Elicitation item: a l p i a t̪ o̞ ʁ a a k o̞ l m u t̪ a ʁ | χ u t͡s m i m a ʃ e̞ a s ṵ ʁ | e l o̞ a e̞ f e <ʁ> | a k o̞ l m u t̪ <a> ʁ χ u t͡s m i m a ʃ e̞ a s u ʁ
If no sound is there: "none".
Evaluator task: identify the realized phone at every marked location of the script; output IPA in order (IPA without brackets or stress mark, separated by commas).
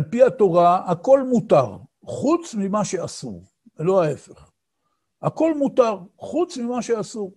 χ, a